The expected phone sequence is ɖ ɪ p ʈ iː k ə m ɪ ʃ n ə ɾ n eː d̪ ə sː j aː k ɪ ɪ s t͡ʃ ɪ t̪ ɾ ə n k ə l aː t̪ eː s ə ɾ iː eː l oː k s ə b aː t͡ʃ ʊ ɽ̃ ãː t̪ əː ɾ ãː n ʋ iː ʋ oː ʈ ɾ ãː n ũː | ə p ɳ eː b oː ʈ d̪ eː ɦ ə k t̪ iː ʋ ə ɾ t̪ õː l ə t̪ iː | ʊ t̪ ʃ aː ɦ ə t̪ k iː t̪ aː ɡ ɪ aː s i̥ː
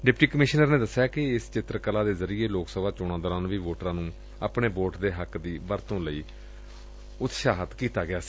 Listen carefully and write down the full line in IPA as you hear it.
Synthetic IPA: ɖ ɪ p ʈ iː k ə m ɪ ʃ n ə ɾ n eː d̪ ə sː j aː k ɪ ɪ s t͡ʃ ɪ t̪ ɾ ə k ə l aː d̪ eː z ə ɾ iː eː l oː k s ə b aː t͡ʃ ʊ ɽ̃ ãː d̪ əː ɾ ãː n ʋ iː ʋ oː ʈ ɾ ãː n ũː | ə p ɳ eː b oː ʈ d̪ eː ɦ ə k d̪ iː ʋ ə ɾ t̪ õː l ə iː | ʊ t̪ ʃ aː ɦ ə t̪ k iː t̪ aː ɡ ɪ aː s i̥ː